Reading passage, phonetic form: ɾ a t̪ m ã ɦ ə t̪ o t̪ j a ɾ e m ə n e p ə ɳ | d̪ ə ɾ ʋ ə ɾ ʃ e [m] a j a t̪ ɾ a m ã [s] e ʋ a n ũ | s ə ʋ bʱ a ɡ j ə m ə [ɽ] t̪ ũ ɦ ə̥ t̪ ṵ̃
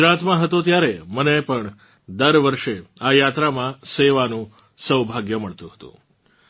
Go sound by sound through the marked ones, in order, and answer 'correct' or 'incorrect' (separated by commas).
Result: incorrect, correct, incorrect